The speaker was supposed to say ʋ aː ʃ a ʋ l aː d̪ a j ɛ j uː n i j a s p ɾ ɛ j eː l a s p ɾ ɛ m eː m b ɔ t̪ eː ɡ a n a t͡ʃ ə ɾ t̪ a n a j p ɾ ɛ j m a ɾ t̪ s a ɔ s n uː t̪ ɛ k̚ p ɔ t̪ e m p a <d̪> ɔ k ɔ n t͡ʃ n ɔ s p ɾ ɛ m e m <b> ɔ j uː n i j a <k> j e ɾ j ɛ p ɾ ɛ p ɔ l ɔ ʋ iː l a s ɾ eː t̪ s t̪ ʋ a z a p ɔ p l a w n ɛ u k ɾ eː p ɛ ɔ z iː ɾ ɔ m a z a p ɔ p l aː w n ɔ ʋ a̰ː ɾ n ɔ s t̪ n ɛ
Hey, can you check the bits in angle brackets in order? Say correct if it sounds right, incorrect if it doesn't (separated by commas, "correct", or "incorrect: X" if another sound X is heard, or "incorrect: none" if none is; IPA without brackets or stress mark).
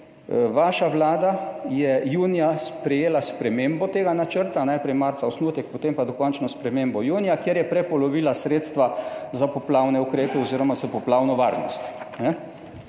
correct, correct, correct